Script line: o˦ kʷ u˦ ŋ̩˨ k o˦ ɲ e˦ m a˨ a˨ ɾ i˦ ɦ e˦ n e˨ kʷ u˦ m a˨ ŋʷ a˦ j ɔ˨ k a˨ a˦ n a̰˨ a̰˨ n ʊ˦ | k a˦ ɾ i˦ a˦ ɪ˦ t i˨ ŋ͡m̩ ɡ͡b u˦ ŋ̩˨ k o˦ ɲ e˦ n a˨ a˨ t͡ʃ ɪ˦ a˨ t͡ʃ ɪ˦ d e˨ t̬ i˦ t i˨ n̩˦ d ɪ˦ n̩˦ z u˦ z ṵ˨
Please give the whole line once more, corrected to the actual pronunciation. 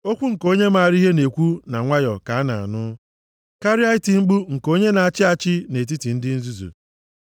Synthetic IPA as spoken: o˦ kʷ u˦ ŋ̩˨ k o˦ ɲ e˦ m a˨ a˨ ɾ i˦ ɦ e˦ n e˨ kʷ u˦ n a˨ ŋʷ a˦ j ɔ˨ k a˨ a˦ n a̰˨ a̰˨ n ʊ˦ | k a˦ ɾ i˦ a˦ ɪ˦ t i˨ ŋ͡m̩ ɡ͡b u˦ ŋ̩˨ k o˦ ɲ e˦ n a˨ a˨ t͡ʃ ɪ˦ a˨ t͡ʃ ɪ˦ n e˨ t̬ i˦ t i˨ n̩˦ d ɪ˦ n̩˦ z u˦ z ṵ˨